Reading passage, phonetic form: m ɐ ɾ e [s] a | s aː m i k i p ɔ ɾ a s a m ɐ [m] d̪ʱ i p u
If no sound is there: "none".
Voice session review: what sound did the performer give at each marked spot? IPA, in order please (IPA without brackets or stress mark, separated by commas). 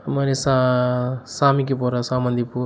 s, n